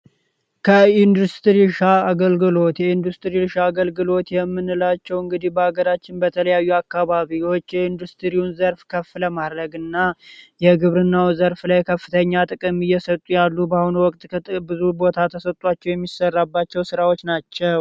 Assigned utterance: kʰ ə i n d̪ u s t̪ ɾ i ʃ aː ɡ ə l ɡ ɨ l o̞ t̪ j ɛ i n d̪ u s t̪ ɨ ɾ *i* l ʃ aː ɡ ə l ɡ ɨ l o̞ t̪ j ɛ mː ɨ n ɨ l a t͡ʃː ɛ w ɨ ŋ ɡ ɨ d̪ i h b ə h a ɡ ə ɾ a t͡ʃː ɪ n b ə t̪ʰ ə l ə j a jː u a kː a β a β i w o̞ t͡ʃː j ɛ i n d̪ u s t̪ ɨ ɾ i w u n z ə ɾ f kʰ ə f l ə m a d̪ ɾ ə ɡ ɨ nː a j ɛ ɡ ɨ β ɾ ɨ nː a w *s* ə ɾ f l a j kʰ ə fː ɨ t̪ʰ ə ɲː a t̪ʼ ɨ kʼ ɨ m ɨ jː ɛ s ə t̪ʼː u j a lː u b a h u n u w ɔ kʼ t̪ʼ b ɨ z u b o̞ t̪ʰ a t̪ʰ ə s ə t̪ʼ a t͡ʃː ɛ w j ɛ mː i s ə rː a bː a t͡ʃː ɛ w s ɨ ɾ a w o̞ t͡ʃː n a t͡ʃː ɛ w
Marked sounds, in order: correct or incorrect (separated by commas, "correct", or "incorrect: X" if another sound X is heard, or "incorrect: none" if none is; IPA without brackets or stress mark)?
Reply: correct, incorrect: z